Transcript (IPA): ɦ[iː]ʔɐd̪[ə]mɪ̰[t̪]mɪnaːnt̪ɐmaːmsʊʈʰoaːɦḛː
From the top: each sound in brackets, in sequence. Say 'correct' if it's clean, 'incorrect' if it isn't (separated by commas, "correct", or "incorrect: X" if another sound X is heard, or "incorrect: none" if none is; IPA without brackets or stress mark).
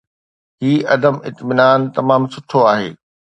correct, correct, correct